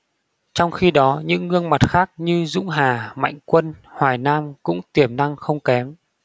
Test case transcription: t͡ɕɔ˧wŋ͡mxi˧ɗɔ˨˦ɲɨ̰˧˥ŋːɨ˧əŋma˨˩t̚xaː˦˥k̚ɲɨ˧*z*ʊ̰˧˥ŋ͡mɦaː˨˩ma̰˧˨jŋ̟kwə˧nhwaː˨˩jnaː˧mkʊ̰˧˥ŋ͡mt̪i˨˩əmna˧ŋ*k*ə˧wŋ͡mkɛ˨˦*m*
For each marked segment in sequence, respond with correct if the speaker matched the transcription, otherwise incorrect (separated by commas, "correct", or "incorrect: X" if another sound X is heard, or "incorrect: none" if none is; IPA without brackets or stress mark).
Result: correct, incorrect: x, correct